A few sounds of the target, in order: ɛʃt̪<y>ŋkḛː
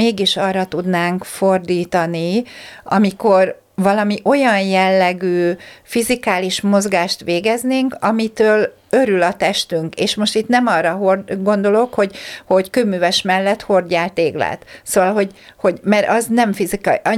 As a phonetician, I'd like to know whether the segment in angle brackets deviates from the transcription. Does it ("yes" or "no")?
no